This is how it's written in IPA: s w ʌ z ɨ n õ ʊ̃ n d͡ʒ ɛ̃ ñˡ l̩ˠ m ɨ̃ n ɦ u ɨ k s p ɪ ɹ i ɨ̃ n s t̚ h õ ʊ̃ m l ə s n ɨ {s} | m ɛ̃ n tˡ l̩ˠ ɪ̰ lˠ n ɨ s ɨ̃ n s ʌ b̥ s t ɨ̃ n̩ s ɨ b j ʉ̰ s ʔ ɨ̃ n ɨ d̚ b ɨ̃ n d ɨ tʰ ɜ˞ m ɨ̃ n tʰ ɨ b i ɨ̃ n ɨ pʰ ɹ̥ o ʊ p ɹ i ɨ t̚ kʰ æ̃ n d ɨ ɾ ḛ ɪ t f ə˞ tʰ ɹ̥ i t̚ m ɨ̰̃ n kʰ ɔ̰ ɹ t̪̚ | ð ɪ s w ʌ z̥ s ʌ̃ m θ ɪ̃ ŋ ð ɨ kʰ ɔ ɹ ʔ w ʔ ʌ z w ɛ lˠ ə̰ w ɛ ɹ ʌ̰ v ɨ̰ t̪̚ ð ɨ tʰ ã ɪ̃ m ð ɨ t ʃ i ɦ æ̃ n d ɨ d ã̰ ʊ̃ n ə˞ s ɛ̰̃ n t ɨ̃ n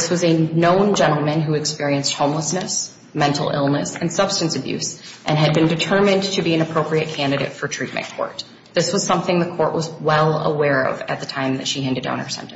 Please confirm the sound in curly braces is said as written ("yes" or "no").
yes